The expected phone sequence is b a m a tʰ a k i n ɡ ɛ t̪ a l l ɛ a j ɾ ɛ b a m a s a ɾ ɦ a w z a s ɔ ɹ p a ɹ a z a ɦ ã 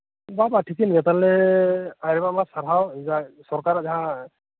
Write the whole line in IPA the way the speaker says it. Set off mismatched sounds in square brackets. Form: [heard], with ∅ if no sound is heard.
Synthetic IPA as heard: b a [b] a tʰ [i] k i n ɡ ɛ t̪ a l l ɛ a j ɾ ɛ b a m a s a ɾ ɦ a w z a s ɔ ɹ [k] a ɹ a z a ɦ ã